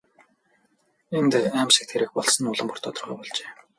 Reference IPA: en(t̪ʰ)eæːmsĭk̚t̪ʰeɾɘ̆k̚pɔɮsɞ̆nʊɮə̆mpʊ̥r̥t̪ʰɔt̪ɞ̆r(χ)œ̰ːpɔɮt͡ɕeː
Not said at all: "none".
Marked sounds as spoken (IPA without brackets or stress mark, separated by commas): t̪, ʁ